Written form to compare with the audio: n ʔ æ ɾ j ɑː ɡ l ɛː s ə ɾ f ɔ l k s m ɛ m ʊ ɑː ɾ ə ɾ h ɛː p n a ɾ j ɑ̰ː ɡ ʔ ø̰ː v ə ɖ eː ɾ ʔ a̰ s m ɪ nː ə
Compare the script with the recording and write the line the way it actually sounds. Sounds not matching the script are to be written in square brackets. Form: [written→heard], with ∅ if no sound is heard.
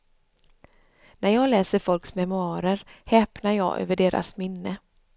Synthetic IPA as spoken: n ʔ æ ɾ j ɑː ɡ l ɛː s ə ɾ f ɔ l k s m ɛ m ʊ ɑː ɾ ə ɾ h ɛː p n a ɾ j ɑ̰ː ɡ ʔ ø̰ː v ə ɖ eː ɾ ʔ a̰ s m ɪ nː ə